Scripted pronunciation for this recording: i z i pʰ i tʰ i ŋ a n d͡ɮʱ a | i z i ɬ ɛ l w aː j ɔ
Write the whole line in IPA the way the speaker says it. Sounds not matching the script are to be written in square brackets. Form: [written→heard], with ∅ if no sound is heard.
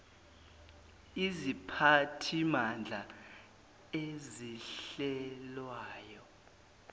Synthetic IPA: i z i pʰ [i→a] tʰ i [ŋ→m] a n d͡ɮʱ a | [i→e] z i ɬ ɛ l w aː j ɔ